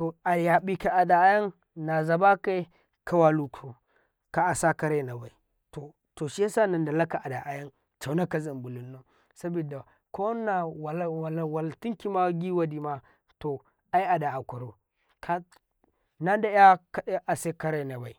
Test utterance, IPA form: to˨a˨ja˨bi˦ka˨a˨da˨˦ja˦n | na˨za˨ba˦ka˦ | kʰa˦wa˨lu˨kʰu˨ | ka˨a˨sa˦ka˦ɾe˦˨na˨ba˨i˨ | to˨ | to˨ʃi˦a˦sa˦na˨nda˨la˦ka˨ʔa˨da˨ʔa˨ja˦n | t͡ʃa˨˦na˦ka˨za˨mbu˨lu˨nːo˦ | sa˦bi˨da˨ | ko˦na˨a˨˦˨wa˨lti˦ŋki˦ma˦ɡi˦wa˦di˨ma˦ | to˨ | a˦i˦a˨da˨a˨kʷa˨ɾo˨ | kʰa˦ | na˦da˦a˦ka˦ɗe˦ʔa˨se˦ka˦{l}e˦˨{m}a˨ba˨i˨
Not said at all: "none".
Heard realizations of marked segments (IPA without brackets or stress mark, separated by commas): ɾ, n